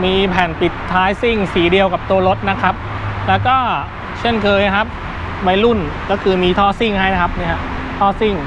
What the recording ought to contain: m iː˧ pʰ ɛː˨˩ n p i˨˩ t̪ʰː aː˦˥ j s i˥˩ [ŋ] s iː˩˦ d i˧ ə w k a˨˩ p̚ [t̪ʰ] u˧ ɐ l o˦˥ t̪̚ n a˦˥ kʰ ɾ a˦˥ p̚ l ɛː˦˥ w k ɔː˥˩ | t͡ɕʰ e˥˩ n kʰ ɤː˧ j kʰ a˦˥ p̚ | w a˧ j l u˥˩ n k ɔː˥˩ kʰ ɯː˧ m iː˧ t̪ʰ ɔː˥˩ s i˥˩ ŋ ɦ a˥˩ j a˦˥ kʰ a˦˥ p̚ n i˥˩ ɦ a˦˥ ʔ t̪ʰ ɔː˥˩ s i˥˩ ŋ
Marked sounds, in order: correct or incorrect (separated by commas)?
correct, incorrect